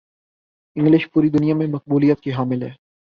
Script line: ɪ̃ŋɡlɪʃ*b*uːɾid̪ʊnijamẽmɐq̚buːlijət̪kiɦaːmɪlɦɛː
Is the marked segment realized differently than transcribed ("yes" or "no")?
yes